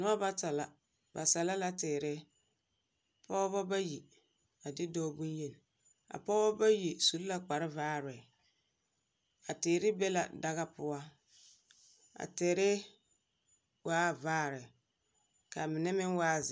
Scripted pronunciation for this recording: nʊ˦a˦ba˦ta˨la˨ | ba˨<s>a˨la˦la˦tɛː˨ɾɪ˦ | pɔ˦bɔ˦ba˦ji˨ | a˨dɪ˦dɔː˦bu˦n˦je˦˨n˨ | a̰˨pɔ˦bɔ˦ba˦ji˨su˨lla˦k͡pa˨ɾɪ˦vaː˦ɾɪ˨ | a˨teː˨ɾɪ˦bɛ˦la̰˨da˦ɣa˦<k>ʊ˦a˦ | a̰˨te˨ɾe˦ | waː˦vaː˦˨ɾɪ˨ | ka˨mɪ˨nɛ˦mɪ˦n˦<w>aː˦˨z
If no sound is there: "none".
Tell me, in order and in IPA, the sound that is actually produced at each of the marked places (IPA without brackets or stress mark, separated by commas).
s, p, w